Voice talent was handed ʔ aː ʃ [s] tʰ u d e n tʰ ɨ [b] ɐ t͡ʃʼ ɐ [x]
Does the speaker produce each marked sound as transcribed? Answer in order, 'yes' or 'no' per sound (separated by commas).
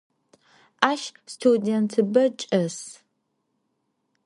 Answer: yes, yes, no